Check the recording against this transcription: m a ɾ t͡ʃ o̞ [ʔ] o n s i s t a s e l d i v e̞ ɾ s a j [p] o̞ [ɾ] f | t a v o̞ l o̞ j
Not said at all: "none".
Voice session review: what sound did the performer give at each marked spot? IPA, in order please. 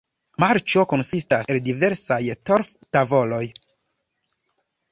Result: k, t, ɾ

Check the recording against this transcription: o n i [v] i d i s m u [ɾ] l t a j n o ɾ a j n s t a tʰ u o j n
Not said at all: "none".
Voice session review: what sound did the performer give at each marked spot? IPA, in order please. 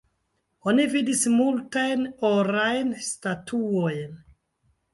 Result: v, none

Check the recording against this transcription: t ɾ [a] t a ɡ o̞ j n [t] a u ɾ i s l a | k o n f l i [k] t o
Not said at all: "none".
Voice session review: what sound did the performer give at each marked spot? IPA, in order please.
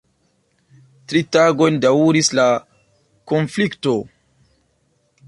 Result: i, d, k

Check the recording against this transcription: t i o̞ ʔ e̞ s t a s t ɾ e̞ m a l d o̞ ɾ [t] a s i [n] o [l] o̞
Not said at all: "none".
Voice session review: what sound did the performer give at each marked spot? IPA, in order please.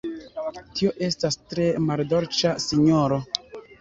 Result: t͡ʃ, ɲ, ɾ

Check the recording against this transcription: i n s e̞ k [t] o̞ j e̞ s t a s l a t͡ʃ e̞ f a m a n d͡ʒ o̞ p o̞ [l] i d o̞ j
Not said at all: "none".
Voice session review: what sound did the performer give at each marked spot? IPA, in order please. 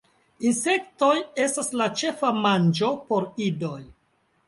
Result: t, ɾ

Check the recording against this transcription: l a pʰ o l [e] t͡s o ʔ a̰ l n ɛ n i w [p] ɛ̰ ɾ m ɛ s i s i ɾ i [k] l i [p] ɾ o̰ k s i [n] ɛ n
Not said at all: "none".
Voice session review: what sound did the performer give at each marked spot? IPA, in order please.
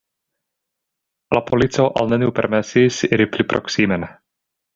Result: i, p, p, p, m

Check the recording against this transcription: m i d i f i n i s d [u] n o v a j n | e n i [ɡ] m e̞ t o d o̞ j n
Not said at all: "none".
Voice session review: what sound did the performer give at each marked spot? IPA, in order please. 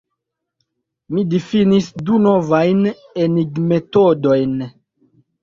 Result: u, ɡ

